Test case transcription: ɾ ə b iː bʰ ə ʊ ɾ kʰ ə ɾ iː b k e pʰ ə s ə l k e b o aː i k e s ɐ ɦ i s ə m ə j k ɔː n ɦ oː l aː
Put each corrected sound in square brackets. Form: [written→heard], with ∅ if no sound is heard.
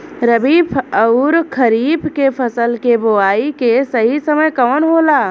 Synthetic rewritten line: ɾ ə b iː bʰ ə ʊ ɾ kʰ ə ɾ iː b k e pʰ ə s ə l k e b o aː i k e s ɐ ɦ i s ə m ə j k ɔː n ɦ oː l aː

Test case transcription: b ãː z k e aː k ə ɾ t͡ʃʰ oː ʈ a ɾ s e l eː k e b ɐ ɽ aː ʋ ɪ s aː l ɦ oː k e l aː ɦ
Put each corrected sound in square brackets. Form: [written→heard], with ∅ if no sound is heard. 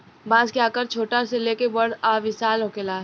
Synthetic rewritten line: b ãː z k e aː k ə ɾ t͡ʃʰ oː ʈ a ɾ s e l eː k e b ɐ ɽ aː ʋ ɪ s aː l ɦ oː k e l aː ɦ

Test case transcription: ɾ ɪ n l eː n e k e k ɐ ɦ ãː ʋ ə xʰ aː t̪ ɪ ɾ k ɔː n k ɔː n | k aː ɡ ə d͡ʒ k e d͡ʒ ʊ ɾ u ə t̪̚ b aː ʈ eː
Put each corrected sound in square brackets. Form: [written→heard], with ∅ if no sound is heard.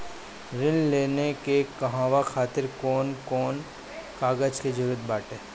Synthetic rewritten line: ɾ ɪ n l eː n e k e k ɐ ɦ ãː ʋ [ə→a] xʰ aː t̪ ɪ ɾ k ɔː n k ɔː n | k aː ɡ ə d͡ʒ k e d͡ʒ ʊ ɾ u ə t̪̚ b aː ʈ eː

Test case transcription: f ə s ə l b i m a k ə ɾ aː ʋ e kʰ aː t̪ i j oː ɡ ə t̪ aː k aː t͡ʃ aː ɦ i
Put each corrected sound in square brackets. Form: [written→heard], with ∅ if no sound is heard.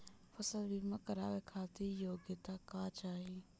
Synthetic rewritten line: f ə s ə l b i m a k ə ɾ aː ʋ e kʰ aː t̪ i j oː ɡ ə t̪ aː k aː t͡ʃ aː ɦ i

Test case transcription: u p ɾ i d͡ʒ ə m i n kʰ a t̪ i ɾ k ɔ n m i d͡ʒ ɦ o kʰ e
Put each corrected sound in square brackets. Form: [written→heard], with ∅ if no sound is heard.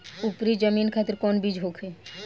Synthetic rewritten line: u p ɾ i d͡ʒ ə m i n kʰ a t̪ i ɾ k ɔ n [m→b] i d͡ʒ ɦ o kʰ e

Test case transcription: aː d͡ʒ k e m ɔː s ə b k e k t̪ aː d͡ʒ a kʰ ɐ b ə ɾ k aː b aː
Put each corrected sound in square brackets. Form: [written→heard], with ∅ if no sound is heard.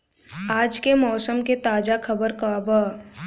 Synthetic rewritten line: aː d͡ʒ k e m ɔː s ə [b→m] k e [k→∅] t̪ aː d͡ʒ a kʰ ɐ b ə ɾ k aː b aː

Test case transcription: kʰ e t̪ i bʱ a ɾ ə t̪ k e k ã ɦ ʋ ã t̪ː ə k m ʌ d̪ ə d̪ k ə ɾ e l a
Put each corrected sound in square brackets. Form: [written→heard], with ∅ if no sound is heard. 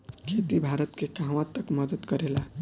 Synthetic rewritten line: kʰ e t̪ i bʱ a ɾ ə t̪ k e k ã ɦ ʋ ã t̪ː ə k m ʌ d̪ ə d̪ k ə ɾ e l a

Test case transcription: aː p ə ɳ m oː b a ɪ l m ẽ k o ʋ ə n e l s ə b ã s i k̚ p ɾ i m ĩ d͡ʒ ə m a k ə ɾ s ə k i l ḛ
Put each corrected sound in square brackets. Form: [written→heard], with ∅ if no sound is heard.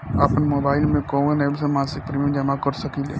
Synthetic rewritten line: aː p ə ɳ m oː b a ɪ l m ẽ k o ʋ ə n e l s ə [b→m] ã s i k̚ p ɾ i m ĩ d͡ʒ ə m a k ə ɾ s ə k i l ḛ

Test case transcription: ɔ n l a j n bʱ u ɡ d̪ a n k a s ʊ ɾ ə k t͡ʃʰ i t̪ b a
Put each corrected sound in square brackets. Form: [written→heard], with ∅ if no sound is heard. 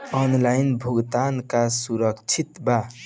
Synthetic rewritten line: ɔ n l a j n bʱ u ɡ [d̪→t̪] a n k a s [ʊ→u] ɾ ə k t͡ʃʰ i t̪ b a

